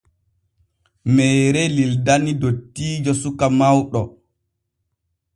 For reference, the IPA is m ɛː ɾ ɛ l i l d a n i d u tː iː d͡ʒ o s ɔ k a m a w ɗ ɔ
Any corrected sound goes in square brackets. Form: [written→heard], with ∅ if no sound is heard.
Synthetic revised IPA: m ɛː ɾ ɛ l i l d a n i d [u→o] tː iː d͡ʒ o s [ɔ→u] k a m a w ɗ ɔ